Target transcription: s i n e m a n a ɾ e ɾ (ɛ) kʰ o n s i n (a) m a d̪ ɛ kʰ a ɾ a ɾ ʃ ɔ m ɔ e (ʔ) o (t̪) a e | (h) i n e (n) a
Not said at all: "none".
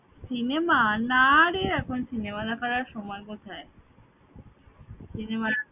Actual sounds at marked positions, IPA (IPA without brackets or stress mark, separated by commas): ɛ, e, k, t̪ʰ, s, m